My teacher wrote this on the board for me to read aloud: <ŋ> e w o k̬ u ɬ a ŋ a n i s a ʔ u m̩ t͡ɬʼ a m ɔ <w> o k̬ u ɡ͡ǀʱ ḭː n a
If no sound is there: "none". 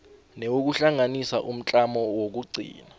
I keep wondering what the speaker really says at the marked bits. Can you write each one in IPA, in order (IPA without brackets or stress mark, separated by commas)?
n, w